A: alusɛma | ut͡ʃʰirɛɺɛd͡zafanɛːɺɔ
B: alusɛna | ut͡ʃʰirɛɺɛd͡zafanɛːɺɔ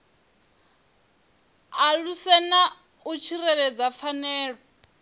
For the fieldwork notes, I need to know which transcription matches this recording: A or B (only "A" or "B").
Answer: B